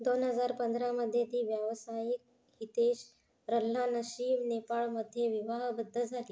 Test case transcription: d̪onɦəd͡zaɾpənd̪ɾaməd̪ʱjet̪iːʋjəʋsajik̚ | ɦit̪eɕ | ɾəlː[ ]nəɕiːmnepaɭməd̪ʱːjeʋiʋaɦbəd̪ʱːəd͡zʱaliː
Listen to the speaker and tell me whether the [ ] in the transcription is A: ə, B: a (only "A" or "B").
B